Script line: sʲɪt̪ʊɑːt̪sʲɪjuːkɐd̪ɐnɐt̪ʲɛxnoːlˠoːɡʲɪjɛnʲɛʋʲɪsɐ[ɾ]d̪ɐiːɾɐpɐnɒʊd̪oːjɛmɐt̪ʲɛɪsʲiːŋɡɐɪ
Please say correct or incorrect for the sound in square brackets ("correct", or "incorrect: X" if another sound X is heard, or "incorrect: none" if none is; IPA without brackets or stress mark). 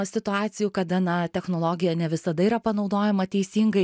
incorrect: none